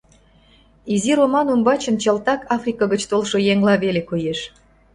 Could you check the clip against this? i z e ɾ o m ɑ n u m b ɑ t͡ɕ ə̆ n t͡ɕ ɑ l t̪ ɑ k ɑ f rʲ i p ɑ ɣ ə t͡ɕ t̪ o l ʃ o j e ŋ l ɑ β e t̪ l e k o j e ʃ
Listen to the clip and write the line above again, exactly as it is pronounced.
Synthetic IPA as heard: i z i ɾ o m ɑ n u m b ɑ t͡ɕ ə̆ n t͡ɕ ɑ l t̪ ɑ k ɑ f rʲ i k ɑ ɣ ə t͡ɕ t̪ o l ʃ o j e ŋ l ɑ β e l e k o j e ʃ